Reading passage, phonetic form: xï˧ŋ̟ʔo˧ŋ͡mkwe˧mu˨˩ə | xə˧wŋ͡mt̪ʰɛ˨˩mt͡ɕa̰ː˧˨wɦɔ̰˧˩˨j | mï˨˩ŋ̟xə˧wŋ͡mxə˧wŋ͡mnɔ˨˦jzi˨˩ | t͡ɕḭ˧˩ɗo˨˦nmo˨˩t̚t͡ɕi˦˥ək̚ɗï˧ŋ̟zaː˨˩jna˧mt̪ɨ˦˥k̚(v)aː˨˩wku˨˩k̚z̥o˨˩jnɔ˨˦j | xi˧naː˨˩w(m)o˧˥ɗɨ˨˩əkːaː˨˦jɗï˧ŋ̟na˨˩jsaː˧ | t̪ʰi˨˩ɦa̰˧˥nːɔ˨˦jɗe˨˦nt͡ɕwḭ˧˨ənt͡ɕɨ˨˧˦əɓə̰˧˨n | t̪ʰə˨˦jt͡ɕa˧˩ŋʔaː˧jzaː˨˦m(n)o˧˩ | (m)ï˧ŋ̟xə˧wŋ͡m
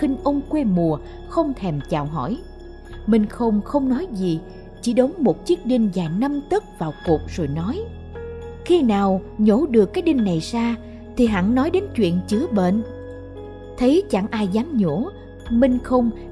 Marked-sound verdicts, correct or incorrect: correct, incorrect: ɲ, incorrect: ɲ, correct

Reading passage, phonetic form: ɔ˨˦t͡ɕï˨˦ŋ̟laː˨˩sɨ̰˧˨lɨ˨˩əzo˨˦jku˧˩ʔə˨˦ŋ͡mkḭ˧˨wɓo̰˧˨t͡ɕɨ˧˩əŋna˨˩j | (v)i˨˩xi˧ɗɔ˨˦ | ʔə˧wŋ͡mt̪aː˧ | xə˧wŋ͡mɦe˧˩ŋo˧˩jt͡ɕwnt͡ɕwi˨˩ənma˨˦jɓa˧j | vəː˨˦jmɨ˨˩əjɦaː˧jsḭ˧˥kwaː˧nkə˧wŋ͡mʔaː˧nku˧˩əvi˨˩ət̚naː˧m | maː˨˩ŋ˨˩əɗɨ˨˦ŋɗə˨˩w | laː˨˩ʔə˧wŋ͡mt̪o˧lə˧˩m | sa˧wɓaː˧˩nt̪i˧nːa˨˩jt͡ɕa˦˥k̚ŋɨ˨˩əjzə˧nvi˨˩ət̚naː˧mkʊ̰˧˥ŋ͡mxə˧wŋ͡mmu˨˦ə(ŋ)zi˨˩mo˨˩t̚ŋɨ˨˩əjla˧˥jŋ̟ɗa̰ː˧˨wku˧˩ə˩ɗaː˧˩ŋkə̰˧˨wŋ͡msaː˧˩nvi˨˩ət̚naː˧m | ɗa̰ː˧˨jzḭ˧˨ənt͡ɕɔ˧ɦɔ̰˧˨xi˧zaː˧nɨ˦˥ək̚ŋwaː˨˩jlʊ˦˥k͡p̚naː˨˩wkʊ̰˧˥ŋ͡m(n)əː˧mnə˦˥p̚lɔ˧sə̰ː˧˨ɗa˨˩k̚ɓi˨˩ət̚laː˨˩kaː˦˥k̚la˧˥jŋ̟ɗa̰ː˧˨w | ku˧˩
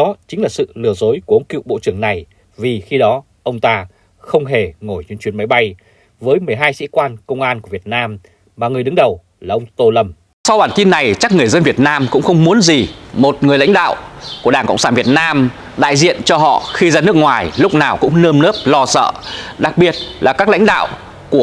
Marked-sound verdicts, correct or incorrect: correct, incorrect: n, correct

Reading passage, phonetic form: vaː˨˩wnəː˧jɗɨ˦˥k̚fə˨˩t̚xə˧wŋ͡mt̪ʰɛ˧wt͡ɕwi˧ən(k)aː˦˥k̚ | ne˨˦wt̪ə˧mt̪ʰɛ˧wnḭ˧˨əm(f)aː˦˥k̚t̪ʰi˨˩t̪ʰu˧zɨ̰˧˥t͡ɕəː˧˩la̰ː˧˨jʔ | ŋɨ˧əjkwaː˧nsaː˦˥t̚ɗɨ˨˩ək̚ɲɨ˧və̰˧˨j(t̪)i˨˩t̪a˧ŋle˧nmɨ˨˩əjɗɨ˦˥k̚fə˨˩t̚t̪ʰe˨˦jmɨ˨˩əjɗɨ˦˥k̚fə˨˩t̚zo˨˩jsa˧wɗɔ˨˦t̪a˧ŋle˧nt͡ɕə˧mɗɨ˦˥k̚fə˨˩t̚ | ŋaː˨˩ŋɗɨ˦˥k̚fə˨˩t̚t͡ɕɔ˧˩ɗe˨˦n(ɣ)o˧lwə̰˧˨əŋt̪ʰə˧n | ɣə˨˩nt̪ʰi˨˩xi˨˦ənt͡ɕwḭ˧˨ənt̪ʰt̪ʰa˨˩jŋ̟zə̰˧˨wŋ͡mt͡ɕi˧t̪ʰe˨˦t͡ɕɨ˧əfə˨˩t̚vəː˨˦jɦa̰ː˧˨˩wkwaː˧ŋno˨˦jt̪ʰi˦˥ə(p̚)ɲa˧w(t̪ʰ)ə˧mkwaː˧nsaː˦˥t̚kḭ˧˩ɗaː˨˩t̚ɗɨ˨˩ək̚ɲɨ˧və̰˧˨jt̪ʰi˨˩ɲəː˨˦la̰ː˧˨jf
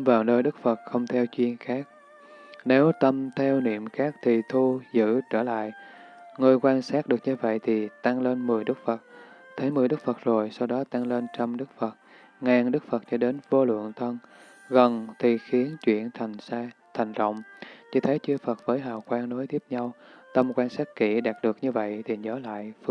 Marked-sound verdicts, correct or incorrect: incorrect: x, incorrect: x, incorrect: t̪ʰ, incorrect: v, correct, incorrect: t̪

